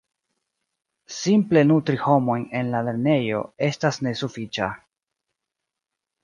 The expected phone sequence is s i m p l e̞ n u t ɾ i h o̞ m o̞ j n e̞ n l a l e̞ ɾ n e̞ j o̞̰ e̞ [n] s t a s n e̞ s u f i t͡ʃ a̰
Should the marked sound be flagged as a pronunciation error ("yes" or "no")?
yes